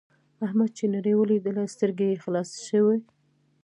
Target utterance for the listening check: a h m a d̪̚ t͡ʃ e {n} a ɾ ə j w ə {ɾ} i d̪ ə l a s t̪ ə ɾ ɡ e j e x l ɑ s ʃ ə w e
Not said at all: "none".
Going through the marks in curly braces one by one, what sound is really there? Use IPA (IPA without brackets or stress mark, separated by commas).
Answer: n, l